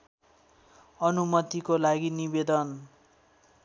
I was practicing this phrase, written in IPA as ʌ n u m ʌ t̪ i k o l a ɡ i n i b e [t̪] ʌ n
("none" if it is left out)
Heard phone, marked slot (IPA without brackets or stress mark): d̪